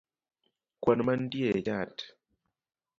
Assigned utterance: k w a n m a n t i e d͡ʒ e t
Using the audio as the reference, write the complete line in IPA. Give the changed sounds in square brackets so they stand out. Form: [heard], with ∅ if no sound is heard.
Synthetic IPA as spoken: k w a n m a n [d] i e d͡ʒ [a] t